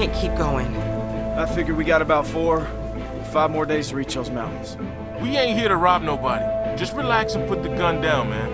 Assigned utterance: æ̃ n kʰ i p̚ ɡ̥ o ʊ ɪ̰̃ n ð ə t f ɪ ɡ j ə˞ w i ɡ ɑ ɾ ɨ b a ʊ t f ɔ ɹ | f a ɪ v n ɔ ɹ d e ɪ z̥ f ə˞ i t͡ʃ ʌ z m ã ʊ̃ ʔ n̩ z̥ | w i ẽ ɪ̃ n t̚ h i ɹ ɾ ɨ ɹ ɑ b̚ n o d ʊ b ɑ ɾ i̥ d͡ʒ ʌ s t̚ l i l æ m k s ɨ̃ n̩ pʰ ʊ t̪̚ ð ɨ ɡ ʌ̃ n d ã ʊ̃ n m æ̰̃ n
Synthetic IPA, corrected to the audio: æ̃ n kʰ i p̚ ɡ̥ o ʊ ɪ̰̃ ŋ ð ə t f ɪ ɡ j ə˞ w i ɡ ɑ ɾ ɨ b a ʊ t f ɔ ɹ | f a ɪ v m ɔ ɹ d e ɪ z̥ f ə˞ i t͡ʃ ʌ z m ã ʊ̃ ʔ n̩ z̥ | w i ẽ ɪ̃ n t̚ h i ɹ ɾ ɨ ɹ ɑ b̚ n o ʊ b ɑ ɾ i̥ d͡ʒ ʌ s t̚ ɹ i l æ k s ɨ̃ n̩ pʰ ʊ t̪̚ ð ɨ ɡ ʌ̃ n d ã ʊ̃ n m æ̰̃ n